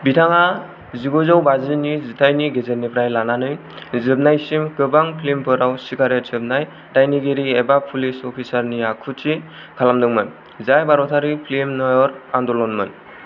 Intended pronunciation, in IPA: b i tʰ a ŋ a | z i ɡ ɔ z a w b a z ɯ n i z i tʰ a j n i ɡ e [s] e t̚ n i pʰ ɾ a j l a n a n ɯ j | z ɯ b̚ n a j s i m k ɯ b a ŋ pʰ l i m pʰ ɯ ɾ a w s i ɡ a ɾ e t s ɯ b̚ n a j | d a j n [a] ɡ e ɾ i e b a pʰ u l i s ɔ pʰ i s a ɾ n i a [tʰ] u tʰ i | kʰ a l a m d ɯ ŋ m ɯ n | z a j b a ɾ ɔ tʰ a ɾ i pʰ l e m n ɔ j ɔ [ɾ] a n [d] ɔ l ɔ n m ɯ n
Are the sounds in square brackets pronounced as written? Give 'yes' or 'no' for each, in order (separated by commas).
no, no, no, yes, yes